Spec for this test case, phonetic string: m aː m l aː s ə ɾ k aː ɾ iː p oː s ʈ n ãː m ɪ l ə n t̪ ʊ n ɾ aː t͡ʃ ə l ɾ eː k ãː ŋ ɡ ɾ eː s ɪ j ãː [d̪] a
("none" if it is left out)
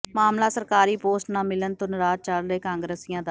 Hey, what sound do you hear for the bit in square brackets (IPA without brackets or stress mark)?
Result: d̪